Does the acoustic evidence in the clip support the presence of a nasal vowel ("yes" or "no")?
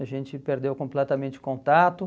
yes